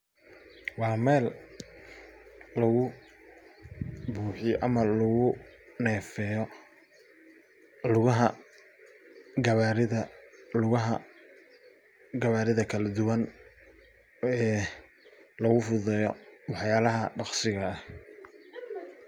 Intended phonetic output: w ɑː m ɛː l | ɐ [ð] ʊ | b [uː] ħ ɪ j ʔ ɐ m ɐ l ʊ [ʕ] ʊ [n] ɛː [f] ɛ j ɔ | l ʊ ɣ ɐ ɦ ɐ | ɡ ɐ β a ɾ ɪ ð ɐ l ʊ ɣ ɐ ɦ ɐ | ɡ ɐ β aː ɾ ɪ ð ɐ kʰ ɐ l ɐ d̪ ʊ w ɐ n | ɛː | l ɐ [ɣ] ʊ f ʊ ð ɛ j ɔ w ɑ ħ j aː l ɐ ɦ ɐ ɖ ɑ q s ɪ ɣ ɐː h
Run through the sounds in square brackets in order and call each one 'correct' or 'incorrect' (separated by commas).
incorrect, correct, incorrect, correct, correct, correct